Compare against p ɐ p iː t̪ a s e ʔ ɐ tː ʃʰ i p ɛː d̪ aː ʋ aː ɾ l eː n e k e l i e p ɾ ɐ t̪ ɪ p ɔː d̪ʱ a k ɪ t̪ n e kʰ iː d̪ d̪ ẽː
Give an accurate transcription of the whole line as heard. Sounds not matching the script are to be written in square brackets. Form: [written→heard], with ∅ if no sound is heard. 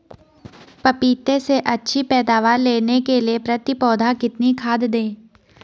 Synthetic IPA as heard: p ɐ p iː t̪ [a→e] s e ʔ ɐ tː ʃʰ i p ɛː d̪ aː ʋ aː ɾ l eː n e k e l i e p ɾ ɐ t̪ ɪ p ɔː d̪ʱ a k ɪ t̪ n [e→i] kʰ [iː→aː] d̪ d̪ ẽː